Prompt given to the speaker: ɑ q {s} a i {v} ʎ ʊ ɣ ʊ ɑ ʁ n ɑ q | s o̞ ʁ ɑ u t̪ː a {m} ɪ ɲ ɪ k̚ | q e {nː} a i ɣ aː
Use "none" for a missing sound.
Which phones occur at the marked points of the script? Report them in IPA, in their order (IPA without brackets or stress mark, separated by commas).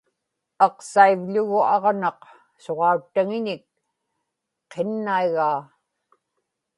s, v, ŋ, nː